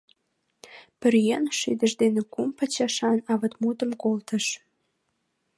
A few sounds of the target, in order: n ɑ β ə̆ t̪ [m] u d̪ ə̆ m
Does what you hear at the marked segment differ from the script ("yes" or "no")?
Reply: no